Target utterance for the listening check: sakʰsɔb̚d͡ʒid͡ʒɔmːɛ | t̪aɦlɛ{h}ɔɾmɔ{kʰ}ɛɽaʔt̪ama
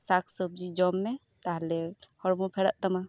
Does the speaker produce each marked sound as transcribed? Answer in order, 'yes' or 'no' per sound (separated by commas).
yes, no